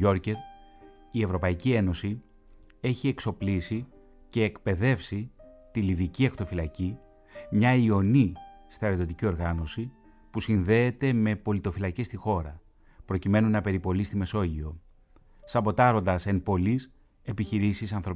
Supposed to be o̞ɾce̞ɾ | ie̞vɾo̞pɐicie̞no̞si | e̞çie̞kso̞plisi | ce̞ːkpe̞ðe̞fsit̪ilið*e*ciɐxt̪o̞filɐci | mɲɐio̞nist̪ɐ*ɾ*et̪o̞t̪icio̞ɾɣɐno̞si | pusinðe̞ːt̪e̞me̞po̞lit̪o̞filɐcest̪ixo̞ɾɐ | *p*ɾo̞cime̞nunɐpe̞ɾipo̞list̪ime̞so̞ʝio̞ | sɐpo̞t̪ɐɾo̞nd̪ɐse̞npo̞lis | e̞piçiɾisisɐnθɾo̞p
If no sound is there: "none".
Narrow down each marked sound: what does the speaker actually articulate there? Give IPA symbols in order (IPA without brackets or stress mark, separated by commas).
i, ɾ, p